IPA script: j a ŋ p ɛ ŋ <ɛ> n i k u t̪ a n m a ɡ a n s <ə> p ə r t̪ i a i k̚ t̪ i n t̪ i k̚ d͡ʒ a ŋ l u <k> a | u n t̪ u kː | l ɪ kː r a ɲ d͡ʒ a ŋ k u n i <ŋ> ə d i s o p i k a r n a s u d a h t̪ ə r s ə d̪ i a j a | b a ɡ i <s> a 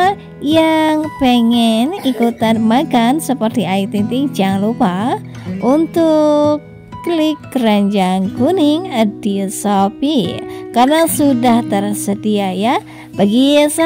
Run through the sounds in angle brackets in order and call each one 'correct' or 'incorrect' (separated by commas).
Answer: correct, correct, incorrect, correct, correct